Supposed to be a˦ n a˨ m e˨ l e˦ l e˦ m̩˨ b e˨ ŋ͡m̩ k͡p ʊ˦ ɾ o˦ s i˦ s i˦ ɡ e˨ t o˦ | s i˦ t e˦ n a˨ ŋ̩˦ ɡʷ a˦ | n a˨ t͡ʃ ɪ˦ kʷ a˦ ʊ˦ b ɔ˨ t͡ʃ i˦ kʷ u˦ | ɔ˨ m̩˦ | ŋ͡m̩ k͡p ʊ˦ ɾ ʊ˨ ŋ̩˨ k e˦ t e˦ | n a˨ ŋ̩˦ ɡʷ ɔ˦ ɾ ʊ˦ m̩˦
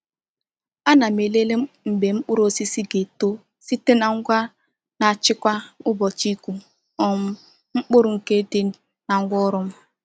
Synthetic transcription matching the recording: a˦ n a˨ m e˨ l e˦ l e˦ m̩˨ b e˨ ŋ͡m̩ k͡p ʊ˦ ɾ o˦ s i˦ s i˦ ɡ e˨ t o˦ | s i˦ t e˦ n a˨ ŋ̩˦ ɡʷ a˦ | n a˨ t͡ʃ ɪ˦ kʷ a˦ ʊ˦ b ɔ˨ t͡ʃ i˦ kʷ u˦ | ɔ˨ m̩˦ | ŋ͡m̩ k͡p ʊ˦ ɾ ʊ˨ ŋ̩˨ k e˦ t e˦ | n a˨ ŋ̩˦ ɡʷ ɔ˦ ɾ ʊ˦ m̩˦